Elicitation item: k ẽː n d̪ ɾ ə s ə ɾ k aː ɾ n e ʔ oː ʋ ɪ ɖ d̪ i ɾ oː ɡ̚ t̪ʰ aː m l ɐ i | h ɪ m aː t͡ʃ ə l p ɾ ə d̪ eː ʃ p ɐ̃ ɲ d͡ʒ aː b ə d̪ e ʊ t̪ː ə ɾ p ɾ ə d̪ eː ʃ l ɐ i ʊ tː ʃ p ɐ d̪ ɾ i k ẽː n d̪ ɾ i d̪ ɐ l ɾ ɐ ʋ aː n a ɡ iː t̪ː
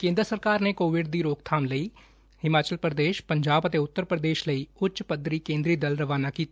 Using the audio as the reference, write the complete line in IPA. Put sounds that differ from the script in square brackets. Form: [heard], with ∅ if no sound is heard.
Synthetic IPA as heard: k ẽː n d̪ ɾ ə s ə ɾ k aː ɾ n e [k] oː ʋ ɪ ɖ d̪ i ɾ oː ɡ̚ t̪ʰ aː m l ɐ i | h ɪ m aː t͡ʃ ə l p ɾ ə d̪ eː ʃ p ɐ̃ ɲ d͡ʒ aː b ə [t̪] e ʊ t̪ː ə ɾ p ɾ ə d̪ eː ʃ l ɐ i ʊ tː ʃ p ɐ d̪ ɾ i k ẽː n d̪ ɾ i d̪ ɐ l ɾ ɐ ʋ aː n a [k] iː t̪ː